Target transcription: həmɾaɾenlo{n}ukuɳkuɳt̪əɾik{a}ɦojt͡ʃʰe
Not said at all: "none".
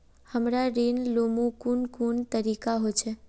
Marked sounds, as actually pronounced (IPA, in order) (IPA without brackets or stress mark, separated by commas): m, a